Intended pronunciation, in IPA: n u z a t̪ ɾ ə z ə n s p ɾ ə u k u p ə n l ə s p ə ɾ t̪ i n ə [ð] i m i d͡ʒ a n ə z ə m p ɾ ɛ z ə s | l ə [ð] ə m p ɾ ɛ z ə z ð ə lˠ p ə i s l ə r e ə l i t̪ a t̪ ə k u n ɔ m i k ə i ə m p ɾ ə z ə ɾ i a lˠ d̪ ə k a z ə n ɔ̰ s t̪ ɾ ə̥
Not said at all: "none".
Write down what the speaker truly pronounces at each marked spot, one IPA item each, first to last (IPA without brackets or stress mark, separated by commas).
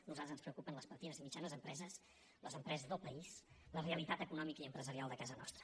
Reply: z, z